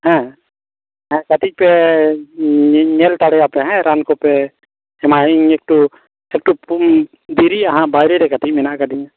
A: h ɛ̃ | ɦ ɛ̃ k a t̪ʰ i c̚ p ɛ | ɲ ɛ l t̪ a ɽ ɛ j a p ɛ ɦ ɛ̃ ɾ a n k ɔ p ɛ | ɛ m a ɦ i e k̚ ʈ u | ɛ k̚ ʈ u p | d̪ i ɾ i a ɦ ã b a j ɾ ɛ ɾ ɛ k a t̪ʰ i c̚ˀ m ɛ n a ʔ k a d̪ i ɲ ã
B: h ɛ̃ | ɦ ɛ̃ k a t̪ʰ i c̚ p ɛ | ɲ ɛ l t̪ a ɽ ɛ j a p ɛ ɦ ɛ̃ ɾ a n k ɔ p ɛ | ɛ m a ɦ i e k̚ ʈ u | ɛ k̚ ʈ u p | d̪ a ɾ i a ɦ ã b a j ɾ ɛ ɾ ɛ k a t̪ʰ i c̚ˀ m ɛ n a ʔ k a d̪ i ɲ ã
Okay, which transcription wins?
A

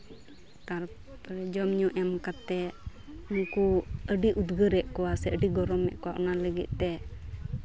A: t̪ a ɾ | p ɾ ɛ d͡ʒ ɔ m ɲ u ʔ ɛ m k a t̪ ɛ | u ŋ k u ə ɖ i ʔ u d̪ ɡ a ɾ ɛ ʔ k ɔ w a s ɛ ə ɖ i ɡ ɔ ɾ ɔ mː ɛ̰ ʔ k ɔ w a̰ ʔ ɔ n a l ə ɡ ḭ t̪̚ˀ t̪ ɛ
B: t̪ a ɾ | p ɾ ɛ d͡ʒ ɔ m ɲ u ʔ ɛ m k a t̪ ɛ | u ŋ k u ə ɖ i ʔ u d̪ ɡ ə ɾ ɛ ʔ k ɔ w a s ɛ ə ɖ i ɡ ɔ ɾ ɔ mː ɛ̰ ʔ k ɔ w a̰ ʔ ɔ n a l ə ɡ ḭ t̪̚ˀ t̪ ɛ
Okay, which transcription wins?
B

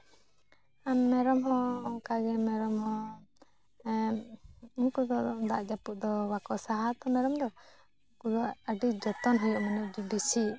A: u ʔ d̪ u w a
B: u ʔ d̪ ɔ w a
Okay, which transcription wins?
B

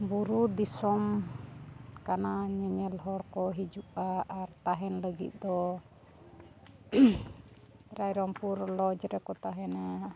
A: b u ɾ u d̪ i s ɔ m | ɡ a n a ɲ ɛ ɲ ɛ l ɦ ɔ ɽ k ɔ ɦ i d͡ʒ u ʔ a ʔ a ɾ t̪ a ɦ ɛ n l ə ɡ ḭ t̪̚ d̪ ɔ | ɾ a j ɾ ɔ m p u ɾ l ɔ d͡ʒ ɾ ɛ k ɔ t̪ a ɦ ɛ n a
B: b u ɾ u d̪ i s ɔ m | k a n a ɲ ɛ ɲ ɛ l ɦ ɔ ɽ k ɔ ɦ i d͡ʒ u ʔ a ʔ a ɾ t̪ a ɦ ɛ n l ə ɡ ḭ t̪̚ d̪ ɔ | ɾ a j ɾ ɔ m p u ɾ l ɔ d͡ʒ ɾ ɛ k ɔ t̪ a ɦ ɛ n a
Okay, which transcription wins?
B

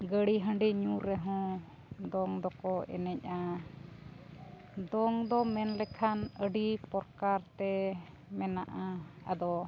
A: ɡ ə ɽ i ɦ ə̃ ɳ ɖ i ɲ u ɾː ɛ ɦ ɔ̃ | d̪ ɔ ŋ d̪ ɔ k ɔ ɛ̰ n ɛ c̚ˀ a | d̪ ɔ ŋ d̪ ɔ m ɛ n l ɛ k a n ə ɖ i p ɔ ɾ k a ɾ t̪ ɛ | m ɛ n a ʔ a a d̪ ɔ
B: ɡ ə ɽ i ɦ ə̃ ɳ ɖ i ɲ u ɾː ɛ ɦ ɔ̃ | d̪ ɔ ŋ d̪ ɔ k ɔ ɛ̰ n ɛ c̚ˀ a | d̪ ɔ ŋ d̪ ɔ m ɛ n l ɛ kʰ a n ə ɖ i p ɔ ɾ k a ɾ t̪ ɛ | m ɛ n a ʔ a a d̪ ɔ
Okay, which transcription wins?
B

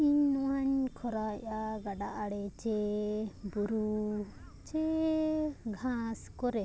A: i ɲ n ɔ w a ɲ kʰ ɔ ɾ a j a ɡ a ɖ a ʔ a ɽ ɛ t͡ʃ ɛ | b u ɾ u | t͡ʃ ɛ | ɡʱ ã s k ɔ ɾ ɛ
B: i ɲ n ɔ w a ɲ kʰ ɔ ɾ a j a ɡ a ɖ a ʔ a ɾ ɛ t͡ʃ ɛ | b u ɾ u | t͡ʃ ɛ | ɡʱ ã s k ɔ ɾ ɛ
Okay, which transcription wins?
A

